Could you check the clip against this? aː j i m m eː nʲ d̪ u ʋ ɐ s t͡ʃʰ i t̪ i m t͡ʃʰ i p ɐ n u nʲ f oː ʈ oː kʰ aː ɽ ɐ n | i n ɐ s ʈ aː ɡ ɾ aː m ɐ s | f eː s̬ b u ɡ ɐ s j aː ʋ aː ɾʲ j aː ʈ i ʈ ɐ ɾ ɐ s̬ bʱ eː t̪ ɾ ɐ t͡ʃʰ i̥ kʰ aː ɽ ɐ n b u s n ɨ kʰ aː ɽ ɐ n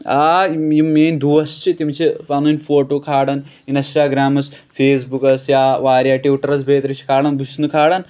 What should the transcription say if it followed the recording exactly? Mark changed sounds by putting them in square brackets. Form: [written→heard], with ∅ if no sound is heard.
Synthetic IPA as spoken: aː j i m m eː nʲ d̪ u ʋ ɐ s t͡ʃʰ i t̪ i m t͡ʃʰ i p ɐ n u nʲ f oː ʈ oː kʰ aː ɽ ɐ n | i n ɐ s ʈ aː ɡ ɾ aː m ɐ s | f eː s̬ b u [ɡ→k] ɐ s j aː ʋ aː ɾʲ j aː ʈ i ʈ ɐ ɾ ɐ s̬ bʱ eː t̪ ɾ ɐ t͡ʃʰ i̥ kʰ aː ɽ ɐ n b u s n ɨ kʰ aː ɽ ɐ n